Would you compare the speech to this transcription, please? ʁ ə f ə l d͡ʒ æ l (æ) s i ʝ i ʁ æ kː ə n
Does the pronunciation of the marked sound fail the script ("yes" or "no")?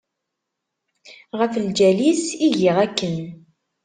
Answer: yes